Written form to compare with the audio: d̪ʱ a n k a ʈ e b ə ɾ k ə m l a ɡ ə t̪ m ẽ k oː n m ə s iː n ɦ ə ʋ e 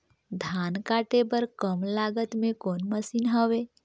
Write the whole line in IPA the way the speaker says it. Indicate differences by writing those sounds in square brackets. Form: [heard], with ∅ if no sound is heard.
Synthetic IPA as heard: d̪ʱ a n k a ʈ e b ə ɾ k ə m l a ɡ ə t̪ m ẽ k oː n m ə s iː n ɦ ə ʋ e